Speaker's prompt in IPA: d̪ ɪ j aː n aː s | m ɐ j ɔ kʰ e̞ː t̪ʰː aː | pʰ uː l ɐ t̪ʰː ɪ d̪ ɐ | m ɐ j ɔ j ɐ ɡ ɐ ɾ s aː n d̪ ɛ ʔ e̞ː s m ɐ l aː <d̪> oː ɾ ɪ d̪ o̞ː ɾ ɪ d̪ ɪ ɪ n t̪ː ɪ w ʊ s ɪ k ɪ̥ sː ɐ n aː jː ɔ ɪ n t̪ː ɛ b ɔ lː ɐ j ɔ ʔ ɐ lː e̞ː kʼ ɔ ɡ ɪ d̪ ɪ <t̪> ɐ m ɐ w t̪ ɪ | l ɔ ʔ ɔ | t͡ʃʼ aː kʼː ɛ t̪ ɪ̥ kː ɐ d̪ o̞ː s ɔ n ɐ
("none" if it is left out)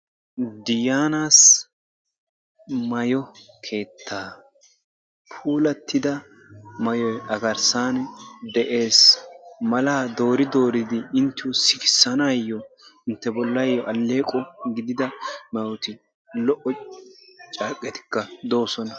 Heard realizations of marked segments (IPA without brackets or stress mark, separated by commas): d̪, d̪